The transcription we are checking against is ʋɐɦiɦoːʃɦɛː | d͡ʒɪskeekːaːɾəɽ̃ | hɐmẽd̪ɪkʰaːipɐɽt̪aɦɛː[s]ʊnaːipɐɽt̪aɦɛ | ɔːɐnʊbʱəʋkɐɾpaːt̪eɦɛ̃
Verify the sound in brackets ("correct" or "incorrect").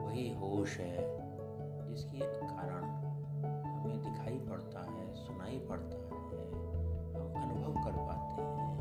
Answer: correct